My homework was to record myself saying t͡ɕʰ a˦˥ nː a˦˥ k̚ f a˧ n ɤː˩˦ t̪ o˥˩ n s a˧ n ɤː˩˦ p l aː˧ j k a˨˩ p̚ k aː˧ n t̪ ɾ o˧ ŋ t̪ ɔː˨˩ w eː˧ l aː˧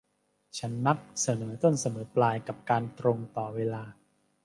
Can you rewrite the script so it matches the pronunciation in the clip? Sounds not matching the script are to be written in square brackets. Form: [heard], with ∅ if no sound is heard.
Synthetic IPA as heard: t͡ɕʰ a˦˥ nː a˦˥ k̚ [s] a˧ n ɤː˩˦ t̪ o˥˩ n s a˧ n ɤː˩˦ p l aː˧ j k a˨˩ p̚ k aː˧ n t̪ ɾ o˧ ŋ t̪ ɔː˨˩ w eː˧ l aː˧